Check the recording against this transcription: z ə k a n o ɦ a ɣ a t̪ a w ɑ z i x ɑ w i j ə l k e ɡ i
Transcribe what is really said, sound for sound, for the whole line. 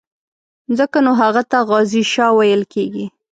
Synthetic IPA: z ə k a n o ɦ a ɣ a t̪ a ɣ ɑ z i ʃ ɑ w a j ə l k e ɡ i